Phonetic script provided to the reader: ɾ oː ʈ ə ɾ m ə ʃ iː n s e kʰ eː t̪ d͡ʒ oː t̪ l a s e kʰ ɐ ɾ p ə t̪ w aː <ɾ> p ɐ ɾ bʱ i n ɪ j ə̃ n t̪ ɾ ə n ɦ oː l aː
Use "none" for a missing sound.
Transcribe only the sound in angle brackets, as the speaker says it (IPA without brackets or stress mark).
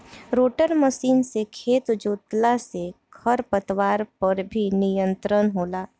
ɾ